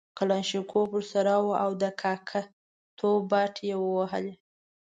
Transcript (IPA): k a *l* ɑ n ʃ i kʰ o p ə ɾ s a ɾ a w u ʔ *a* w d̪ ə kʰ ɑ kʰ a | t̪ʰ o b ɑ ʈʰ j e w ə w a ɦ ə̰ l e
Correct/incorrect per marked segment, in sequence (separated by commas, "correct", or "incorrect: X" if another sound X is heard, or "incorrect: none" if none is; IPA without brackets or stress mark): correct, correct